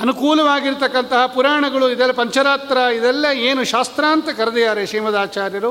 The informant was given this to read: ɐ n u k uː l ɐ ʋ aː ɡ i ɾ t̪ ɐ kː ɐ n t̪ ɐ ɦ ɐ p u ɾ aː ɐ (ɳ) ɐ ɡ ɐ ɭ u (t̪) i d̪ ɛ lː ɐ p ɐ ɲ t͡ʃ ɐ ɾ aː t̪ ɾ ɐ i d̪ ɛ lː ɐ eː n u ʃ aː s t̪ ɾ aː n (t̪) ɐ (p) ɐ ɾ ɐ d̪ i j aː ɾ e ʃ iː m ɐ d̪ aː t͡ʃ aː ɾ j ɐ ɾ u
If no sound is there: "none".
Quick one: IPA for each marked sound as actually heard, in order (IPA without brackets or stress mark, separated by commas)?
ɳ, none, t̪, k